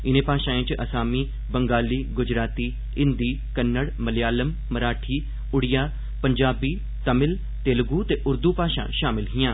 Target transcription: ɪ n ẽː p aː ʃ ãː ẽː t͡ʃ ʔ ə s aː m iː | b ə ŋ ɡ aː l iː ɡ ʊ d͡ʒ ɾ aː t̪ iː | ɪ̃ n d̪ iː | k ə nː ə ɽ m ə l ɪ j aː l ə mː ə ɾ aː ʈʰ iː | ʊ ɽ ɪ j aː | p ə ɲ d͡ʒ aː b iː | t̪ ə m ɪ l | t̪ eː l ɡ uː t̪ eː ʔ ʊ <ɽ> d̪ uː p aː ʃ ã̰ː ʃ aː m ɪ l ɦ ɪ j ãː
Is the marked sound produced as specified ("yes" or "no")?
no